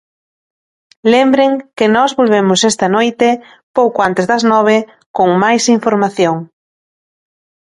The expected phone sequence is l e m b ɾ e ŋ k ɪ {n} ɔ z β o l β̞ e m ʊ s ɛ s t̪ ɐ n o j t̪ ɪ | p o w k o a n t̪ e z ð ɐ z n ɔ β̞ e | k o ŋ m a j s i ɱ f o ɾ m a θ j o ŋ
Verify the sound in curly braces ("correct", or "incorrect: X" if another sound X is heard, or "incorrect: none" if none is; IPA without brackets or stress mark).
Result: correct